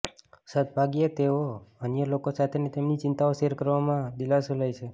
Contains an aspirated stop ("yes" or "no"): yes